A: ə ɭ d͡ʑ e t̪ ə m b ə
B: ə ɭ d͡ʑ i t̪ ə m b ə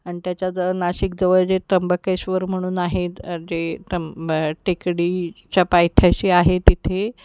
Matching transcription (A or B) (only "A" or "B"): A